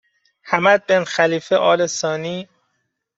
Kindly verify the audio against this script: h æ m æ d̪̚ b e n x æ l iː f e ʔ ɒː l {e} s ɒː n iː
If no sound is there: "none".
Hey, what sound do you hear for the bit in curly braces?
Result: e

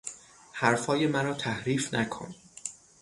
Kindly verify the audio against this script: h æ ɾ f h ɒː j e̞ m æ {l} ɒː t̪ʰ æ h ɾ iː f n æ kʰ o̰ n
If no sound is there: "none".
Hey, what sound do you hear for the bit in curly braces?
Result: ɾ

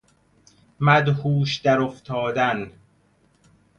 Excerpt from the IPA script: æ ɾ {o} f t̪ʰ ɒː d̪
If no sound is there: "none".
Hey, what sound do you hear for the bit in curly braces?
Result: o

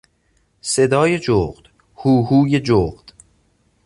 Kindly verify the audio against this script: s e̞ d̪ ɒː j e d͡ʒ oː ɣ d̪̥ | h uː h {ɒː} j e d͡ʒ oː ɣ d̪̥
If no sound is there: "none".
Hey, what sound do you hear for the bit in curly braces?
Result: uː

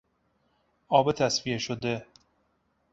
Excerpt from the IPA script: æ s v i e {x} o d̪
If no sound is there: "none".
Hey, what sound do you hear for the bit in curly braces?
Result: ʃ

